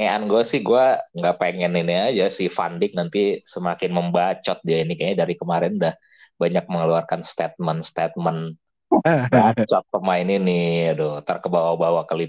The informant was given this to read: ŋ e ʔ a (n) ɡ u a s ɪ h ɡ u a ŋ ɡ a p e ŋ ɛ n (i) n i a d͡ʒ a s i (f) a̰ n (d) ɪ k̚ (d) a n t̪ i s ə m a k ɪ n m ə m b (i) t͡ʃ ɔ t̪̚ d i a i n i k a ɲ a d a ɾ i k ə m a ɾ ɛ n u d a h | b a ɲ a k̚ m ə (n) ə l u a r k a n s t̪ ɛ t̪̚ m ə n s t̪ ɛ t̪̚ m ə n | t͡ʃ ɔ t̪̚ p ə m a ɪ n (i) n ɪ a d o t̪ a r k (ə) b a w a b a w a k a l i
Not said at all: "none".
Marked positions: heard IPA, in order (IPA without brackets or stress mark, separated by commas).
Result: n, i, f, d, n, a, ŋ, i, ə